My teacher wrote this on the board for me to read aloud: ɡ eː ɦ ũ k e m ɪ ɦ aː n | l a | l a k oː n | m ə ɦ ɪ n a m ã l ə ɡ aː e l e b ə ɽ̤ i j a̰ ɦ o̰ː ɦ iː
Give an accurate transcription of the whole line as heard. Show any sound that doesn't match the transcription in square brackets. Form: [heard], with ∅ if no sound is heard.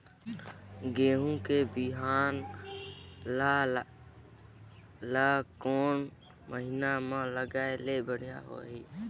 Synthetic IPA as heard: ɡ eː ɦ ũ k e [b] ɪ ɦ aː n | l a | l a k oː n | m ə ɦ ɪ n a m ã l ə ɡ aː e l e b ə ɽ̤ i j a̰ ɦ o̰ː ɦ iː